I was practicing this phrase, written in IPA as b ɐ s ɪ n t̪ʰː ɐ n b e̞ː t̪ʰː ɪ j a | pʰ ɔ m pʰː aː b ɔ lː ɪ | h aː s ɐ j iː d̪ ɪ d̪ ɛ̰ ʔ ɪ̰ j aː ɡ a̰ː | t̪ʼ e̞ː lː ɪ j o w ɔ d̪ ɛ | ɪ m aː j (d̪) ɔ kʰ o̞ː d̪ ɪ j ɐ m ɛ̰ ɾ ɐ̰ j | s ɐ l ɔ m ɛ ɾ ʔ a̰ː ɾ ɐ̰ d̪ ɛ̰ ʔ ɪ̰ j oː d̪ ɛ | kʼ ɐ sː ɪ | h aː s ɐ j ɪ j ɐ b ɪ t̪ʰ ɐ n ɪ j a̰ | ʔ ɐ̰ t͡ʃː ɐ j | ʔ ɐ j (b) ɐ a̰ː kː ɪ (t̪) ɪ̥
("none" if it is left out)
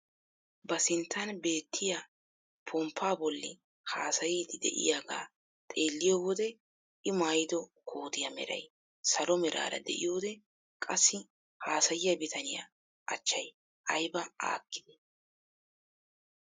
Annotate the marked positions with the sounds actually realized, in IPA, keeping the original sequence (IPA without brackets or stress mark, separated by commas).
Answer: d̪, b, d̪